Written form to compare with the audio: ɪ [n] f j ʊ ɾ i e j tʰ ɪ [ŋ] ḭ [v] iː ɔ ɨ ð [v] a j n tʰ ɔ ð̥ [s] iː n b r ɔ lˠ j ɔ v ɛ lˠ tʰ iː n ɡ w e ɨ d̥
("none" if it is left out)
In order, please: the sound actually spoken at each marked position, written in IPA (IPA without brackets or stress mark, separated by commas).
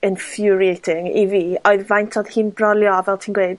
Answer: n, ŋ, v, v, h